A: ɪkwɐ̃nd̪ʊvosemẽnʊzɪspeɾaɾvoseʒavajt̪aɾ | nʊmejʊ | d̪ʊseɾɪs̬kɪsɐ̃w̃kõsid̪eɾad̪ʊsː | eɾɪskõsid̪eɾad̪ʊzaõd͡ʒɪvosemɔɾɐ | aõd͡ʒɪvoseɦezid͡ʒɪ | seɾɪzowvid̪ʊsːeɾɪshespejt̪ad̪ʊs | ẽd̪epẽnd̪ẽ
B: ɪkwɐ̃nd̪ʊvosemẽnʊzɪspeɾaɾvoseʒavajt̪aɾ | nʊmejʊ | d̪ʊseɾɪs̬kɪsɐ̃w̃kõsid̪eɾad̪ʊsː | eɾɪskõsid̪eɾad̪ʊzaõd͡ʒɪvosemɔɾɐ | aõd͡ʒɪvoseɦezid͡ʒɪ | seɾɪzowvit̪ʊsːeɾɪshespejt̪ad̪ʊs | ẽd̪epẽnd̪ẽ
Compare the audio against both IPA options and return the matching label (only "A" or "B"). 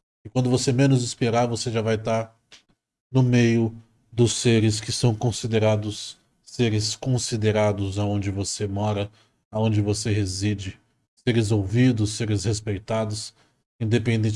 A